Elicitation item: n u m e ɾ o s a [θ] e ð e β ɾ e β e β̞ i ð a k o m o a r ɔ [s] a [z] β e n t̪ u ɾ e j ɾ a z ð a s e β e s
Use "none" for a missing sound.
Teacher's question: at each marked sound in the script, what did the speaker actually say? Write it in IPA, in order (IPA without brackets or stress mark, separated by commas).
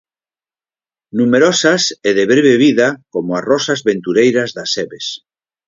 s, s, z